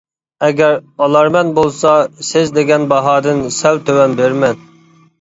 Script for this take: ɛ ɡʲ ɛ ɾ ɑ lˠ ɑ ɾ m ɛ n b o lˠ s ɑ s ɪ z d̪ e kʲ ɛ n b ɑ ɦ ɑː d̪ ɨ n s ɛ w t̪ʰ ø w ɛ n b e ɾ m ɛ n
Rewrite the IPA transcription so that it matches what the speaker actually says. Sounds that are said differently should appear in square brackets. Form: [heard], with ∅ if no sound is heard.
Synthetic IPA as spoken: ɛ ɡʲ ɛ ɾ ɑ lˠ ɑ ɾ m ɛ n b o lˠ s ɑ s ɪ z d̪ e [ɡʲ] ɛ n b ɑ ɦ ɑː d̪ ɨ n s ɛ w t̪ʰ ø w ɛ n b e ɾ m ɛ n

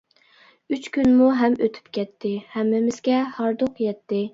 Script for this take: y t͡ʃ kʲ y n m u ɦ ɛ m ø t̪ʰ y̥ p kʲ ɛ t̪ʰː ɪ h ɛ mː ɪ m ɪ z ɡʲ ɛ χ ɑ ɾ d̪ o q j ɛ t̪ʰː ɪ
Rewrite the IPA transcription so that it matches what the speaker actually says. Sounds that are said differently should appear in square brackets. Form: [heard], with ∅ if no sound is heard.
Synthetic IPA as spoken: y t͡ʃ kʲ y n m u ɦ ɛ m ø t̪ʰ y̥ p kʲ ɛ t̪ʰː ɪ h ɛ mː ɪ m ɪ z ɡʲ ɛ [h] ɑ ɾ d̪ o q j ɛ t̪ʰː ɪ

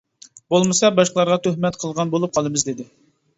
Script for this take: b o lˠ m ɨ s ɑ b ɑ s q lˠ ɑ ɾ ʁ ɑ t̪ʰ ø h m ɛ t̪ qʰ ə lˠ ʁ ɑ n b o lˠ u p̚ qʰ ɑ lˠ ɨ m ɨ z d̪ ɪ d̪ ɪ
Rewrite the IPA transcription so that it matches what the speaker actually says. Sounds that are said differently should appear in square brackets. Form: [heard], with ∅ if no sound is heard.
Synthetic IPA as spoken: b o lˠ m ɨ s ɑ b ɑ [ʃ] q lˠ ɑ ɾ ʁ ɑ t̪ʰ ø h m ɛ t̪ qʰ ə lˠ ʁ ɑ n b o lˠ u p̚ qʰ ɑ lˠ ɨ m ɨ z d̪ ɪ d̪ ɪ

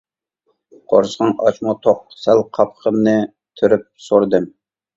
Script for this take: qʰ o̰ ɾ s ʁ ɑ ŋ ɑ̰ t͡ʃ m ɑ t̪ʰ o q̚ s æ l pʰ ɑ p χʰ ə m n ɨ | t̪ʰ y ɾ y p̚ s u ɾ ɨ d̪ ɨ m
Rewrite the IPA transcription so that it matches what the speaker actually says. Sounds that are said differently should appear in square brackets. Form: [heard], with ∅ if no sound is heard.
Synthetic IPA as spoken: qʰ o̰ ɾ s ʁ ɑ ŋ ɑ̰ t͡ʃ m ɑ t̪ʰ o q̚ s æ l [qʰ] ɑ p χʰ ə m n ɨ | t̪ʰ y ɾ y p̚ s [o] ɾ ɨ d̪ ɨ m

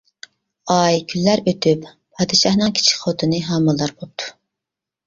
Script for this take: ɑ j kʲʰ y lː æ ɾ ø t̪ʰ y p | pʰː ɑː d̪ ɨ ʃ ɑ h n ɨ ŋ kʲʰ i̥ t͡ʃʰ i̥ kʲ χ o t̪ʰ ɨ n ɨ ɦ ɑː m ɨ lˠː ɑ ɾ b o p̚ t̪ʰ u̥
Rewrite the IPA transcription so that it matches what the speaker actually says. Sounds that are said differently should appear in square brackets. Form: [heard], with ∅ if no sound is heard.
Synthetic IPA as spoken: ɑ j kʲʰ y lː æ ɾ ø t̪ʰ y p | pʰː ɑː d̪ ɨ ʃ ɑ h n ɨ ŋ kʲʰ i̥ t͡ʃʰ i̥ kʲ χ o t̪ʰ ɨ n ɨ ɦ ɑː m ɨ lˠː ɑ ɾ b o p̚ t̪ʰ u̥

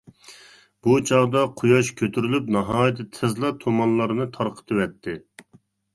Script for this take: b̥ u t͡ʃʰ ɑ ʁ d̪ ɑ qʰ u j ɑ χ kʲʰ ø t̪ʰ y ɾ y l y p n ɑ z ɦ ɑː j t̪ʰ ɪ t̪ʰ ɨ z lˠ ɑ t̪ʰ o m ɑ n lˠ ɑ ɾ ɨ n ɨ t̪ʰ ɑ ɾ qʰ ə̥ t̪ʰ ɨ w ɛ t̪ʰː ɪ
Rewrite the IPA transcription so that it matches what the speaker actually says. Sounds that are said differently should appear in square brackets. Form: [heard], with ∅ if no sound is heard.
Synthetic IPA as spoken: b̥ u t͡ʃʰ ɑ ʁ d̪ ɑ qʰ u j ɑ [ʃ] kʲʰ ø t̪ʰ y ɾ y l y p n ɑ [∅] ɦ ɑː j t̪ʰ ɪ t̪ʰ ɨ z lˠ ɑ t̪ʰ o m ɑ n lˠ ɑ ɾ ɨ n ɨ t̪ʰ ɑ ɾ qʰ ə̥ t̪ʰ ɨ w ɛ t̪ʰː ɪ

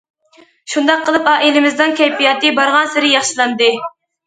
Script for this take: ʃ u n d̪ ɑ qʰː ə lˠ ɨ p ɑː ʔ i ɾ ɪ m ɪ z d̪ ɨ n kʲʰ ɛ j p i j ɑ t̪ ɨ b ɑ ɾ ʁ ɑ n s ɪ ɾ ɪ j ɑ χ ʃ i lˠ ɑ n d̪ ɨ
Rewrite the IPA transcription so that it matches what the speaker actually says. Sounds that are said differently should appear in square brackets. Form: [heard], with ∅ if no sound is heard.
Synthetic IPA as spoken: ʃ u n d̪ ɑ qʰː ə lˠ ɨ p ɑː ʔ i [l] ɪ m ɪ z d̪ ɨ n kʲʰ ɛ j p i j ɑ t̪ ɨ b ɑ ɾ ʁ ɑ n s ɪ ɾ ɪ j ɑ χ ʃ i lˠ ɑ n d̪ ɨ

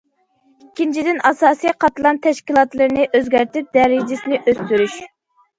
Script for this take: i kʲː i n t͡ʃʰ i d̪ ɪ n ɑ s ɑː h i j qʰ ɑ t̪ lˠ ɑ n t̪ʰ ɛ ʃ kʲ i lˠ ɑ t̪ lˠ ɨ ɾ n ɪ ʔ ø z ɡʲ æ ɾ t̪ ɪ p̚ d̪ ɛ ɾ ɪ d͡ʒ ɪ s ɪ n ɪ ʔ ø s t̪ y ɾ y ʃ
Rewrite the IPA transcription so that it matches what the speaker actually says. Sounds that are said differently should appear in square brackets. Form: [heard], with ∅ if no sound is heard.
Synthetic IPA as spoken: i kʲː i n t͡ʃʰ i d̪ ɪ n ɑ s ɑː [s] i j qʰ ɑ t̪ lˠ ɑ n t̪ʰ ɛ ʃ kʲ i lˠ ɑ t̪ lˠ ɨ ɾ n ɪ ʔ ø z ɡʲ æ ɾ t̪ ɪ p̚ d̪ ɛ ɾ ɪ d͡ʒ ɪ s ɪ n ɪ ʔ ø s t̪ y ɾ y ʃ

